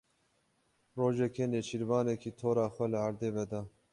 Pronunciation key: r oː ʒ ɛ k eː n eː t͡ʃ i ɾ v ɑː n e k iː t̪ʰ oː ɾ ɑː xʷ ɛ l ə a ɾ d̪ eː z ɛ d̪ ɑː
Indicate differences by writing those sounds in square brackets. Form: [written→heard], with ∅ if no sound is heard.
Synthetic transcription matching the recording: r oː ʒ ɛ k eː n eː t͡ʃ i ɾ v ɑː n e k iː t̪ʰ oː ɾ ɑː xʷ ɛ l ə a ɾ d̪ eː [z→v] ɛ d̪ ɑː